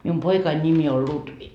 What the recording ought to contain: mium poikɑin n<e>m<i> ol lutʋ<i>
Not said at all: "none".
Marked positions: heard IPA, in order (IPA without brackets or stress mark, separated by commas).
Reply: i, i, i